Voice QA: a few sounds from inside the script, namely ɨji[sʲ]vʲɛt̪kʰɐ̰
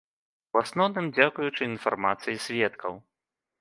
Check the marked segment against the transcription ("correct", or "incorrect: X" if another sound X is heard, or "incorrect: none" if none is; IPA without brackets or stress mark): correct